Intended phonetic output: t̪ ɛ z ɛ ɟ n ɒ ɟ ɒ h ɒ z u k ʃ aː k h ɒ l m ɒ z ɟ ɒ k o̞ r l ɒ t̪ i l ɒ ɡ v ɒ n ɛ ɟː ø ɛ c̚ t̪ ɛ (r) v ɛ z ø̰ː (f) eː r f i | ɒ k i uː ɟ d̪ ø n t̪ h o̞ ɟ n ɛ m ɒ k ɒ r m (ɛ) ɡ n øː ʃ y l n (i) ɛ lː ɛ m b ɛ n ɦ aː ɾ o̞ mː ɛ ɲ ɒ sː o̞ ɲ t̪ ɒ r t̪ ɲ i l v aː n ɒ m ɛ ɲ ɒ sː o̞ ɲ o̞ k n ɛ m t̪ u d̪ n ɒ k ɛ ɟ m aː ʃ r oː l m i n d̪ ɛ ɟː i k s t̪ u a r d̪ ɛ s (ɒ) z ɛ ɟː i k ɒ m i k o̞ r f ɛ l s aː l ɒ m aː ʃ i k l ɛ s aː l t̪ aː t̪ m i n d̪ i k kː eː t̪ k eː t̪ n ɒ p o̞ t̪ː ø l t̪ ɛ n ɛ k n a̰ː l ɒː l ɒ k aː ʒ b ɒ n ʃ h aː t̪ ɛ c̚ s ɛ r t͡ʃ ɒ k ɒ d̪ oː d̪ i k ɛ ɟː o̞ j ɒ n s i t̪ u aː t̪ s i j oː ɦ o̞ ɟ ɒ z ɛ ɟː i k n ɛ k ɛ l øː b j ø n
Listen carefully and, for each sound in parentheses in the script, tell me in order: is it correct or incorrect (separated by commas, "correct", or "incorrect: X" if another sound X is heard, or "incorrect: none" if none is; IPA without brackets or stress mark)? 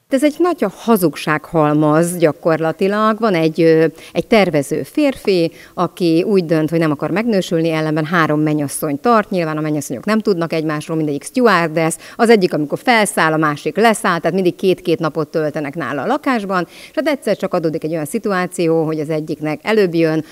correct, correct, correct, correct, correct